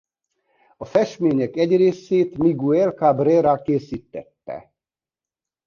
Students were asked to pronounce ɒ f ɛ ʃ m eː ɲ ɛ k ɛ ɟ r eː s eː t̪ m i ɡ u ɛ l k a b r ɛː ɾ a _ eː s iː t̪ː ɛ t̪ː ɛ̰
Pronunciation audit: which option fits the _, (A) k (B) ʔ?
A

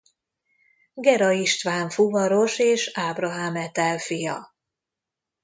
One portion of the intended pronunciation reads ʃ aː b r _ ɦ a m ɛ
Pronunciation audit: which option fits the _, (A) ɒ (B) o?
A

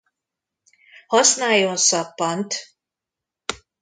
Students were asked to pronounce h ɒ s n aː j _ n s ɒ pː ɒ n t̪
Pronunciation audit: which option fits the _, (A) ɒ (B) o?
B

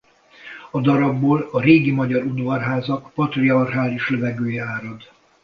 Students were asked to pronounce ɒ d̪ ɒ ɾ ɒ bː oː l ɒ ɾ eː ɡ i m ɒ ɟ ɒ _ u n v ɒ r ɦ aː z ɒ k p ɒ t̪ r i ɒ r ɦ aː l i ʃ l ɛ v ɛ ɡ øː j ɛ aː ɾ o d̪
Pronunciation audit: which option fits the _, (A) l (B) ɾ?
B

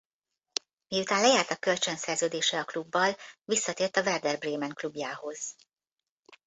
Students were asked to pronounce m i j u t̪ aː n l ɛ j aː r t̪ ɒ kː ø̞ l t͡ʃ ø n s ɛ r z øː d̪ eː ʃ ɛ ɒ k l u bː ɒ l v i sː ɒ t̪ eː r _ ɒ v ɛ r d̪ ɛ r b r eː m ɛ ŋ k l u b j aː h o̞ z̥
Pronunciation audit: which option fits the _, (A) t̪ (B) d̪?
A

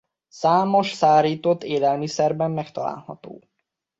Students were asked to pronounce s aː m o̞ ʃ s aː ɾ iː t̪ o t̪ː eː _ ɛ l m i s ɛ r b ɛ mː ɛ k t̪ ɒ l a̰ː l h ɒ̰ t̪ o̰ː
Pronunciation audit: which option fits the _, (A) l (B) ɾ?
A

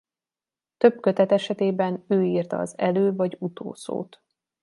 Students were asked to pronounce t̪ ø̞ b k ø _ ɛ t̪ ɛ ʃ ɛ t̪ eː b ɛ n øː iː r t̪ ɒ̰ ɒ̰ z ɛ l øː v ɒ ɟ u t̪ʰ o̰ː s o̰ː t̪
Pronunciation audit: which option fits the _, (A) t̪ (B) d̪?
A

